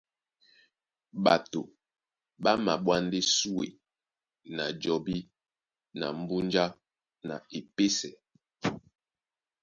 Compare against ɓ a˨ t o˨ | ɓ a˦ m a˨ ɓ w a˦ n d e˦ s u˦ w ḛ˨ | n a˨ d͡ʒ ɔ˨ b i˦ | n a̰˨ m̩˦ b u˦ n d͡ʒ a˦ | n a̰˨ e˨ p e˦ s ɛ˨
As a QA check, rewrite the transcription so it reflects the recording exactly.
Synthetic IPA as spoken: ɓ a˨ t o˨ | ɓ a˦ m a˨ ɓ w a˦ n d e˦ s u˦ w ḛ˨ | n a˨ d͡ʒ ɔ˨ b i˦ | n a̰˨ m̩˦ b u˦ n d͡ʒ a˦ | n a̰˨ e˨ p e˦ s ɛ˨